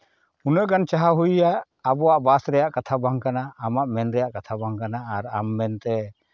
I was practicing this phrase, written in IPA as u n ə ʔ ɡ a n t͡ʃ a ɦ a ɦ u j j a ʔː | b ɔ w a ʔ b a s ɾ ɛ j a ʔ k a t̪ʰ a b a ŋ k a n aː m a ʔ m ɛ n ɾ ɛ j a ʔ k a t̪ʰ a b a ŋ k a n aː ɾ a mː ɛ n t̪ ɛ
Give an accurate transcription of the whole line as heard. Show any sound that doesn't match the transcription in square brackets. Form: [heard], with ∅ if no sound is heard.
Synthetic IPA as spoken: u n ə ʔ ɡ a n t͡ʃ a ɦ a ɦ u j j a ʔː | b ɔ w a ʔ b a s ɾ ɛ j a ʔ k a t̪ʰ a b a ŋ k a n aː m a ʔ m ɛ n ɾ ɛ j a ʔ k a t̪ʰ a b a ŋ k a n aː ɾ a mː ɛ n t̪ ɛ